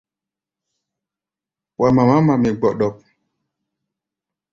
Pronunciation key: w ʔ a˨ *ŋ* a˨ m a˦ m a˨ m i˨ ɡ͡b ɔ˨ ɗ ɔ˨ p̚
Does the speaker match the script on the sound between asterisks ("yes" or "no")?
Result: no